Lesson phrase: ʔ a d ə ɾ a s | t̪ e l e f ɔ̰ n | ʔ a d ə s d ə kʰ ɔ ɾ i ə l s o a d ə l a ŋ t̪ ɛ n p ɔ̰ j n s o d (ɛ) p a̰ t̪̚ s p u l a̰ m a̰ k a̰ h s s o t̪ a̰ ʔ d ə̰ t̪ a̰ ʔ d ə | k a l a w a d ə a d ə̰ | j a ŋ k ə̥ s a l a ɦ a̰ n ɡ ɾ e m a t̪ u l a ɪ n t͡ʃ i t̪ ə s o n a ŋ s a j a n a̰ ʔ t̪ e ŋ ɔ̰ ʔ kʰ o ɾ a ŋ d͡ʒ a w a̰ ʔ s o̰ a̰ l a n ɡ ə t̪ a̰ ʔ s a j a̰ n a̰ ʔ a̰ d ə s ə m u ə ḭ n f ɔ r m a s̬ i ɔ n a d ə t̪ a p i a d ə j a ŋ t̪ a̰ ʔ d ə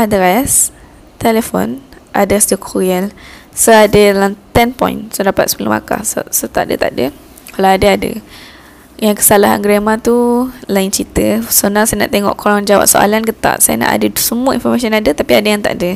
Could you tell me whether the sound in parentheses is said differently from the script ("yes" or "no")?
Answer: yes